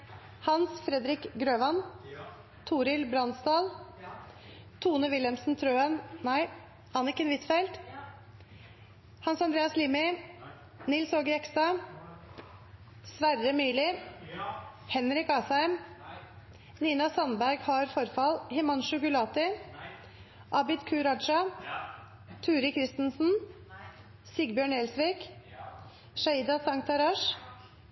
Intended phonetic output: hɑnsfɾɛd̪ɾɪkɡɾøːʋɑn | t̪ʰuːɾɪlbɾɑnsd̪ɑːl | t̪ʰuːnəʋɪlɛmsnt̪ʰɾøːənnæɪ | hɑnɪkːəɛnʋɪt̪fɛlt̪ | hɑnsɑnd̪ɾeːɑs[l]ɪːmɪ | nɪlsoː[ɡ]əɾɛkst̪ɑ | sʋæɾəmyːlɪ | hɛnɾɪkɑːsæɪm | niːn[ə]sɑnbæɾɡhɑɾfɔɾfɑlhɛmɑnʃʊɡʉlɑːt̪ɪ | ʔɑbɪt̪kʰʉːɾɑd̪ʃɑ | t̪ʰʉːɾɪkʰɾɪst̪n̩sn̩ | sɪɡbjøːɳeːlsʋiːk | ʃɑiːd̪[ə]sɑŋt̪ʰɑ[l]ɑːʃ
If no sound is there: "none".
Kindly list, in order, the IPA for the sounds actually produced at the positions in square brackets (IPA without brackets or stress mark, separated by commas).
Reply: l, ɡ, ɑ, ɑ, ɾ